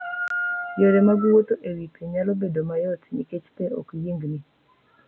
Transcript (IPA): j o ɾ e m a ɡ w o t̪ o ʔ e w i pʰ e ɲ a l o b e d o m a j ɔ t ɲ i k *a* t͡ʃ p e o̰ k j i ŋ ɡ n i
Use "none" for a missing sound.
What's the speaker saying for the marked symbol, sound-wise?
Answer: e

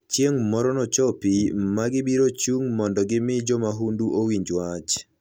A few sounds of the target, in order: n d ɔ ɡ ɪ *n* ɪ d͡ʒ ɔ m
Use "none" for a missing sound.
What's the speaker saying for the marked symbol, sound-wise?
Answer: m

